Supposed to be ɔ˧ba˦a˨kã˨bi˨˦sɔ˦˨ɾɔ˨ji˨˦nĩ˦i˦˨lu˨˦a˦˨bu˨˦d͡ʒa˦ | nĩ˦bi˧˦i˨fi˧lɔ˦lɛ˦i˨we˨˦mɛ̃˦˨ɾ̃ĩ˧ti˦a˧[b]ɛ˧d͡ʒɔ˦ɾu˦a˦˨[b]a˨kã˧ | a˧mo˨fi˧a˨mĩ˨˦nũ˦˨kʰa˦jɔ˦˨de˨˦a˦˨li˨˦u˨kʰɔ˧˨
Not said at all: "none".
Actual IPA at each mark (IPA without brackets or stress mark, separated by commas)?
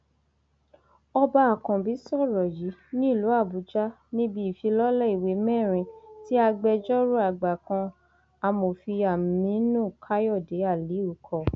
ɡ͡b, ɡ͡b